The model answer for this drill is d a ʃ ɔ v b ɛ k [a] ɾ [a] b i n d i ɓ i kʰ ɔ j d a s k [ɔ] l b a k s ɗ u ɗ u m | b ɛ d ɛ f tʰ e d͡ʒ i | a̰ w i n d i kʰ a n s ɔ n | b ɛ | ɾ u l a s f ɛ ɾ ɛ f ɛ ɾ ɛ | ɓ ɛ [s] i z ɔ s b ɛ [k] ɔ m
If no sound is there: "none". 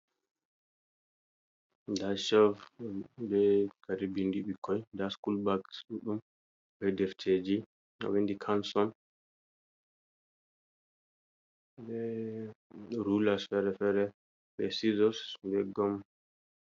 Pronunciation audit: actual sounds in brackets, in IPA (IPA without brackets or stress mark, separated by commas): a, i, u, s, ɡ